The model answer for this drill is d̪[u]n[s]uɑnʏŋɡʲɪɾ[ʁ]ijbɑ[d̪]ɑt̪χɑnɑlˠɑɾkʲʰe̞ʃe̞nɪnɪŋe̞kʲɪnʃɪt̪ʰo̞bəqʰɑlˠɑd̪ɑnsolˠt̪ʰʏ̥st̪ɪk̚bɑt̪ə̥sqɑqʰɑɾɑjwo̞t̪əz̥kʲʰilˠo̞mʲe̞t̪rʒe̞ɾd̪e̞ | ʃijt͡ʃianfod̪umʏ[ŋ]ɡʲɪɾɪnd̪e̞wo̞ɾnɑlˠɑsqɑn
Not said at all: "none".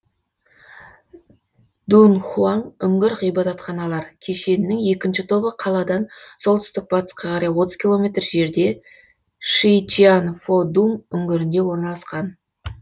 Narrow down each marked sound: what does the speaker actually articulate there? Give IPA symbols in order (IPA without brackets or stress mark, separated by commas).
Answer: u, χ, ʁ, t̪, ŋ